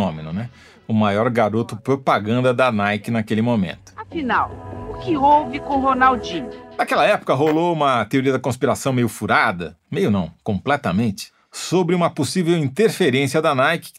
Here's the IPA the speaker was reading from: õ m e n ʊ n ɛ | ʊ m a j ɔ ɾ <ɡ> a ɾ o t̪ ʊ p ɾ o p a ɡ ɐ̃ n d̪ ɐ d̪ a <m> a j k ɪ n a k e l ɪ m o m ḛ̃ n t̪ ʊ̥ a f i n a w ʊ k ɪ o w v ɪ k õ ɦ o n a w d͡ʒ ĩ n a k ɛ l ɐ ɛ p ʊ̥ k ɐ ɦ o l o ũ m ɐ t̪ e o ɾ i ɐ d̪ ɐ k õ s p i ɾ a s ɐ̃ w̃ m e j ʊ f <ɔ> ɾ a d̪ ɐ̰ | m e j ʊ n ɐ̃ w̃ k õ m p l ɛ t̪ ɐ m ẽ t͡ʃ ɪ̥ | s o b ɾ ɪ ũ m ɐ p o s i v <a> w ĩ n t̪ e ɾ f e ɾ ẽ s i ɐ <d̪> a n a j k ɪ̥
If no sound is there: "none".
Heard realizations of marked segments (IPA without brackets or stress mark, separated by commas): ɡ, n, u, e, d̪